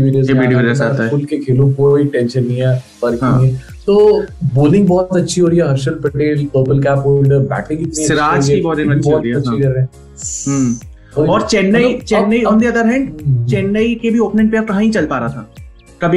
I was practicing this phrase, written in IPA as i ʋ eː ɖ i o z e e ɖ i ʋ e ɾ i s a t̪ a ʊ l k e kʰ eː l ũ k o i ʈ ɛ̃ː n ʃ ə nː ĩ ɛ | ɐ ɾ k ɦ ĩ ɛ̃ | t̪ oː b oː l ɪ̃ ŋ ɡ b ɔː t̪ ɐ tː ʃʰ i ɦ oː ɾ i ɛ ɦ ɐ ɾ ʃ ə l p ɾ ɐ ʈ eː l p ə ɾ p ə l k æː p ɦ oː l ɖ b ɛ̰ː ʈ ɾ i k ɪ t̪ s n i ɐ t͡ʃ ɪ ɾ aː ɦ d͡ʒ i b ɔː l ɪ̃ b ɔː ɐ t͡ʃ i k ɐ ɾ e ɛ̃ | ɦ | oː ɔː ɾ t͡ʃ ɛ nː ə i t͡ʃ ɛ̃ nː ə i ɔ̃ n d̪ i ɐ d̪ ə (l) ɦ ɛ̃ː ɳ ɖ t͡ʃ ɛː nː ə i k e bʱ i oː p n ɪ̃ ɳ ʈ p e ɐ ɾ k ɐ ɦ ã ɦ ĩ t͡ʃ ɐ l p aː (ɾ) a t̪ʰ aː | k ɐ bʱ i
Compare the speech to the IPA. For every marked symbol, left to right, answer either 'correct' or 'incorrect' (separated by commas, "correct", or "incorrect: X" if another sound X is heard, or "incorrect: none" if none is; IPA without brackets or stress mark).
incorrect: ɾ, correct